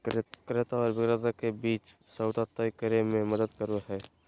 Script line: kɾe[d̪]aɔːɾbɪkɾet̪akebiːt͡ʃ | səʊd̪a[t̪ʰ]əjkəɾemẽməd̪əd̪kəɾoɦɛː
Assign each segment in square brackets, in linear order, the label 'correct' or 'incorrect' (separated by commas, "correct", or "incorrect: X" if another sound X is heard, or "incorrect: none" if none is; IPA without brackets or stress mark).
incorrect: t̪, incorrect: t̪